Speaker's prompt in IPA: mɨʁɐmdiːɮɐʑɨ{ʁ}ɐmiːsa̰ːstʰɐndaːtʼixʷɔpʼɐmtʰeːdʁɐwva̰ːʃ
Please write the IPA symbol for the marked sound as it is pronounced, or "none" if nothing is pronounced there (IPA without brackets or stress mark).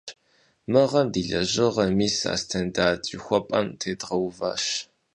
ʁ